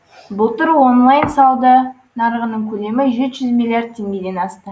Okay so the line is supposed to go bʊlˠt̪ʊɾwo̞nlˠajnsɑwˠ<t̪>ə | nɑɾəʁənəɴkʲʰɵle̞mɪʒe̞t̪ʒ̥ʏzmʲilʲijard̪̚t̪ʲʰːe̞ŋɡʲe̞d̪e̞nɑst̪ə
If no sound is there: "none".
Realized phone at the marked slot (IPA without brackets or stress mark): d̪